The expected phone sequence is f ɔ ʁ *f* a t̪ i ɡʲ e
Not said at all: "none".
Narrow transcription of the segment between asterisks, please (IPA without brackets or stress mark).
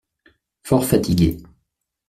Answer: f